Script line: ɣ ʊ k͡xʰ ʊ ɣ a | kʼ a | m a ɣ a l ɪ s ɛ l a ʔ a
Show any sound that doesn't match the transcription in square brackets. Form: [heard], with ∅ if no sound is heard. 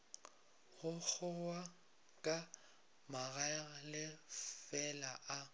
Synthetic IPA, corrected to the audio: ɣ ʊ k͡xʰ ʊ [w] a | kʼ a | m a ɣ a l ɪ [f] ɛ l a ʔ a